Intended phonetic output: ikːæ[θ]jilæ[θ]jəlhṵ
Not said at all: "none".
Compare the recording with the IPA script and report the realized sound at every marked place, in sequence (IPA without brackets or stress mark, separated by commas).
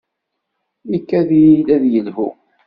ð, ð